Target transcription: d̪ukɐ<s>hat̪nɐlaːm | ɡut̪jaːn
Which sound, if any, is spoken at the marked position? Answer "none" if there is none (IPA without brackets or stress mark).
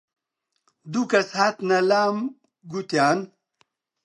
s